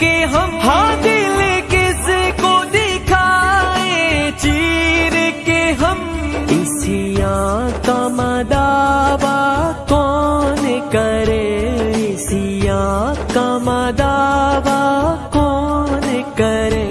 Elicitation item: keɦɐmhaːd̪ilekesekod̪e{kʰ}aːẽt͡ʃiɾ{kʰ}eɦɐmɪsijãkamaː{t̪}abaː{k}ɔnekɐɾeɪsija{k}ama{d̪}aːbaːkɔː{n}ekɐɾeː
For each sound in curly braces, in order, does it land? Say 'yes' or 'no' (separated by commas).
yes, no, no, yes, yes, yes, yes